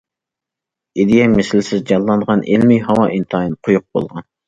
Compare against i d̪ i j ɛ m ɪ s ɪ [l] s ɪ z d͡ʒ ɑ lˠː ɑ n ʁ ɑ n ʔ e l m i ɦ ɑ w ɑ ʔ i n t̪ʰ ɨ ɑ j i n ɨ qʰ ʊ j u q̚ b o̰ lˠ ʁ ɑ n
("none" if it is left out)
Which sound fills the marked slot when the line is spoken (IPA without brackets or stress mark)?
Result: l